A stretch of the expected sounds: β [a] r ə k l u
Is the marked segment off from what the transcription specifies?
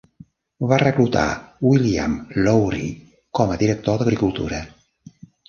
no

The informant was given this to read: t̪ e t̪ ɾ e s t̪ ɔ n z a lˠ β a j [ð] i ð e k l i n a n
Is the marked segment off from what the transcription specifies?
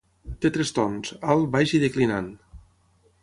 yes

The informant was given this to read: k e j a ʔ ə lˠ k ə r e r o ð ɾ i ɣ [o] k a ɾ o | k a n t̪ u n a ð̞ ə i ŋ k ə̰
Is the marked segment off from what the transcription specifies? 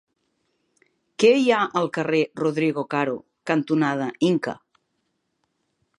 no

